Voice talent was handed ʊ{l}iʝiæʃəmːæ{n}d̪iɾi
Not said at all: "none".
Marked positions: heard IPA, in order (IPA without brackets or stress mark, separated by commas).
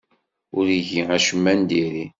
ɾ, n